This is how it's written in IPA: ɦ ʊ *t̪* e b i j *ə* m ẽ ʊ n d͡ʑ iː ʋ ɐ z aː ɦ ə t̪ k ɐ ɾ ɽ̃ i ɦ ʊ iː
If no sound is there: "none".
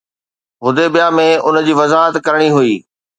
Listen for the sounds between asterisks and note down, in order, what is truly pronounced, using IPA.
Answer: d̪, a

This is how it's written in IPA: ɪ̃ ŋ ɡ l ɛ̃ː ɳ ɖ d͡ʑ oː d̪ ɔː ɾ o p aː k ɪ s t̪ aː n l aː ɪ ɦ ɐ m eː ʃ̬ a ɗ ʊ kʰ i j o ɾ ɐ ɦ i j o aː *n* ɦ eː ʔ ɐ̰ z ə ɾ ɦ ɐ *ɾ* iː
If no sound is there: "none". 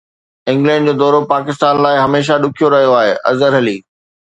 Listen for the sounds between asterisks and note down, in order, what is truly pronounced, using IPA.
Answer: none, l

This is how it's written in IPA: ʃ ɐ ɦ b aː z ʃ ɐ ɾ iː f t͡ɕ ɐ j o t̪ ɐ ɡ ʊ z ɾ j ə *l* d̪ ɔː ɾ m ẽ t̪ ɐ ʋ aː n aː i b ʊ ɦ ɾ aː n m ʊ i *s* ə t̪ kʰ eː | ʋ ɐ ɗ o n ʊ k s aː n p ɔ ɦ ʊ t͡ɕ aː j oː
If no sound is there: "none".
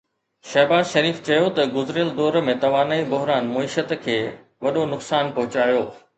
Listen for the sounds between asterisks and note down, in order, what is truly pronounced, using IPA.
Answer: l, ʃ

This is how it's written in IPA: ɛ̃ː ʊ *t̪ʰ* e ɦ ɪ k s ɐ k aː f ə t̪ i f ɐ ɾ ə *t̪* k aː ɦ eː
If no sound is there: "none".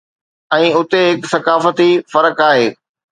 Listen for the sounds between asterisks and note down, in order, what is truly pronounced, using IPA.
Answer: t̪, none

